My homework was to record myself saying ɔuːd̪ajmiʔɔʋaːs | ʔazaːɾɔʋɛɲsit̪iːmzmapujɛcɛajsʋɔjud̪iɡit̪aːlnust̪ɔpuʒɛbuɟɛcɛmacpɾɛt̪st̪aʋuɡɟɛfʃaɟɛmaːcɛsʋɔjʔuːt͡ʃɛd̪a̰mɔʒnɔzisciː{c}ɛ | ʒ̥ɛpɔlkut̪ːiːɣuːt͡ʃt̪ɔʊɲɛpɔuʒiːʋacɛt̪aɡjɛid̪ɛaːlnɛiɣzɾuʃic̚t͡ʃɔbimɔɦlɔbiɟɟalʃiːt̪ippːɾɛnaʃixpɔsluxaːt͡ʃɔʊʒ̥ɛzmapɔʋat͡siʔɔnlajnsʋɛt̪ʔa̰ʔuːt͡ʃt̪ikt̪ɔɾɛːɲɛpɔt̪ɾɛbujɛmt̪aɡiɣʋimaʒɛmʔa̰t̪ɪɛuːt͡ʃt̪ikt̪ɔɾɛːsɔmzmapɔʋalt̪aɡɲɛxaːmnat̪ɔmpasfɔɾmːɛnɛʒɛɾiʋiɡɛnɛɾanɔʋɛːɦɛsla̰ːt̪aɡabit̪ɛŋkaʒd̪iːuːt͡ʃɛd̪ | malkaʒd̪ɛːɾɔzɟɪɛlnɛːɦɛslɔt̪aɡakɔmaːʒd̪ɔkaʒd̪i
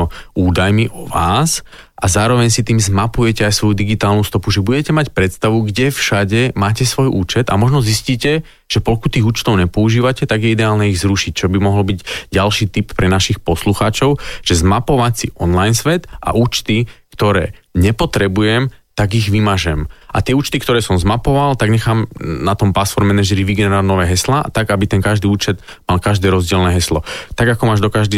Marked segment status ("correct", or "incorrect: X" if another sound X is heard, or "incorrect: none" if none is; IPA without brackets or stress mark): correct